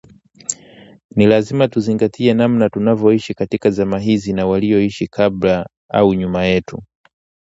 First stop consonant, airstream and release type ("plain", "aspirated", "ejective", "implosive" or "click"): plain